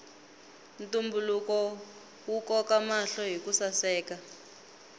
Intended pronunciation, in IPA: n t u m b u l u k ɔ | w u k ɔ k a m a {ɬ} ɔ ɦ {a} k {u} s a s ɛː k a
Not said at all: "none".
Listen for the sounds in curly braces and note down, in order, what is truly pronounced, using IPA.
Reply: ɬ, i, u

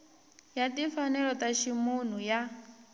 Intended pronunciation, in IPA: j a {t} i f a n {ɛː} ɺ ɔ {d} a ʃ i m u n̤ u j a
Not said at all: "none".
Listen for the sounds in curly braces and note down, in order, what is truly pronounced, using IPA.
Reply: t, ɛ, t

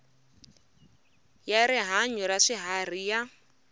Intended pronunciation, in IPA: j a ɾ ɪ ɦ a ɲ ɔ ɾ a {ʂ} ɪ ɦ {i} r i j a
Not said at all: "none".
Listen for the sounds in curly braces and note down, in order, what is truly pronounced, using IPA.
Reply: ʂ, a

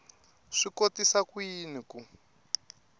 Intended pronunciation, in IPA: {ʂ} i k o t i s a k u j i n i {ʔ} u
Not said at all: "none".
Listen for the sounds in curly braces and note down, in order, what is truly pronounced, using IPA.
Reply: ʂ, k

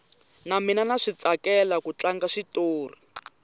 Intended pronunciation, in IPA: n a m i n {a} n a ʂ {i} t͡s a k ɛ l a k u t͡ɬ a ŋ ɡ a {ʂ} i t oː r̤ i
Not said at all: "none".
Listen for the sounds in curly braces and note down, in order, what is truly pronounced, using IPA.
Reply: a, i, ʂ

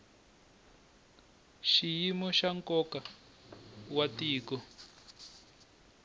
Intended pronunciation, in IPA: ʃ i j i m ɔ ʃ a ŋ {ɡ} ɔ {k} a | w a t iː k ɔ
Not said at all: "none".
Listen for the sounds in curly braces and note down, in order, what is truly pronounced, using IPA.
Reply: k, k

